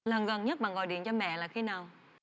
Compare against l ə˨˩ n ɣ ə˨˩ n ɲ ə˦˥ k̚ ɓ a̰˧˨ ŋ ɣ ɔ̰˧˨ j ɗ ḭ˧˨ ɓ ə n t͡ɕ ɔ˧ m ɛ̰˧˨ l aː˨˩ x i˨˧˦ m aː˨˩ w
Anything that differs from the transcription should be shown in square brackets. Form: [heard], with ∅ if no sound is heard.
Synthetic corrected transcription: l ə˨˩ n ɣ ə˨˩ n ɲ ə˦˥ [t̚] ɓ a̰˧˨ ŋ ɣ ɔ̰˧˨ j ɗ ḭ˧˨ [∅] ə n t͡ɕ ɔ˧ m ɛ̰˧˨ l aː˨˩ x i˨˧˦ [n] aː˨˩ w